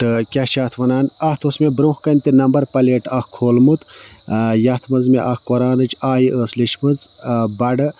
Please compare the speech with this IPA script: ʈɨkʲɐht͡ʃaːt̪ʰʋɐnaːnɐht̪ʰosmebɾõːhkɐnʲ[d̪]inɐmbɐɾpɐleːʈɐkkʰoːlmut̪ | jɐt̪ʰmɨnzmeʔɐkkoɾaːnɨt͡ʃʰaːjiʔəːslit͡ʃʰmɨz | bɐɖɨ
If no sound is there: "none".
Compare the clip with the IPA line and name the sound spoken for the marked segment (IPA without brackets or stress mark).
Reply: t̪